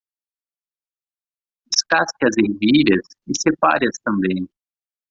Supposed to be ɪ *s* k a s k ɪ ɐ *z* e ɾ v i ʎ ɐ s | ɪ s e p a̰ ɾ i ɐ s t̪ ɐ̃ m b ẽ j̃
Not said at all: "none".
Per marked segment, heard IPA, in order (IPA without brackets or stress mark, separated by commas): s, z